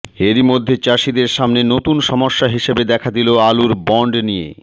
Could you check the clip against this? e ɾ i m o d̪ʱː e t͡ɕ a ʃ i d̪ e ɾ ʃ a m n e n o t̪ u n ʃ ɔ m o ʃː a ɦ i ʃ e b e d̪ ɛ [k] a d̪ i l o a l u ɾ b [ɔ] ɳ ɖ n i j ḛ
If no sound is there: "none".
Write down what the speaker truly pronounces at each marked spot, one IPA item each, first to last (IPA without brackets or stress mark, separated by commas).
kʰ, ɔ